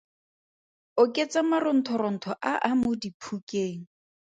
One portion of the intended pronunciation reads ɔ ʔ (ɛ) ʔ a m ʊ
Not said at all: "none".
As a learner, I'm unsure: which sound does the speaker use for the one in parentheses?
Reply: a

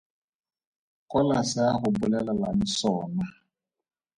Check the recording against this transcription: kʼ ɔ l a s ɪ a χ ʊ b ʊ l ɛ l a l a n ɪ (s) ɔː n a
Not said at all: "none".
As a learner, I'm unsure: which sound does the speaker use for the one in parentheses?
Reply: s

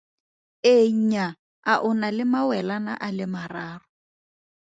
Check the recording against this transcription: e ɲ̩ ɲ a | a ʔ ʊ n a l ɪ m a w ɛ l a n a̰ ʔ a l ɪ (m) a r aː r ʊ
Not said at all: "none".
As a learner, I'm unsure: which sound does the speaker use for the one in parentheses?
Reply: m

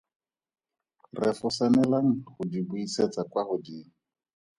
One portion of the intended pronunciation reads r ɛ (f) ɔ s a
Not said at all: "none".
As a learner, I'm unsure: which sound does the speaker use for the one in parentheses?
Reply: f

